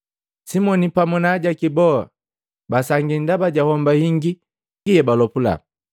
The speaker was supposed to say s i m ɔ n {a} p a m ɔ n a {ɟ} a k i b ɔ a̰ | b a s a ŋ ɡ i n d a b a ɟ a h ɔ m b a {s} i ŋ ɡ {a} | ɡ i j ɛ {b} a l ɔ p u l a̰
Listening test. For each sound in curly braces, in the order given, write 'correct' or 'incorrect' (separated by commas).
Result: incorrect, correct, incorrect, incorrect, correct